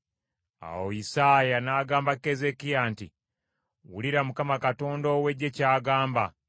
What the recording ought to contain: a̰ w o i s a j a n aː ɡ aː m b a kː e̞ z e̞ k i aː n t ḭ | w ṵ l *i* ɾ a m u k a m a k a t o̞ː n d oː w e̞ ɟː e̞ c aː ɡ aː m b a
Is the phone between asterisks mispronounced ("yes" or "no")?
no